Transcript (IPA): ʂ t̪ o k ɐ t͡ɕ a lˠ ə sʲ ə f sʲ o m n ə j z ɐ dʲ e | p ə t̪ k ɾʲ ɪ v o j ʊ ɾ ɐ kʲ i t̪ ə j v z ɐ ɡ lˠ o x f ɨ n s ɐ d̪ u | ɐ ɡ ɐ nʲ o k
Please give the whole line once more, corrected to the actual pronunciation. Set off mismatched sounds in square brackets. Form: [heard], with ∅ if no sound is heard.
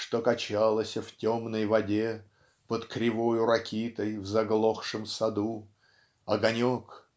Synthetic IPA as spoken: ʂ t̪ o k ɐ t͡ɕ a lˠ ə sʲ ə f [tʲ] o m n ə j [v] ɐ dʲ e | p ə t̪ k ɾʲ ɪ v o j ʊ ɾ ɐ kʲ i t̪ ə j v z ɐ ɡ lˠ o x [ʂ] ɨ [m] s ɐ d̪ u | ɐ ɡ ɐ nʲ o k